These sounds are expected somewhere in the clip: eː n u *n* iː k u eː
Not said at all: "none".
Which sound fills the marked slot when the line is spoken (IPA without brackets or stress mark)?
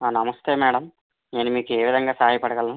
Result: m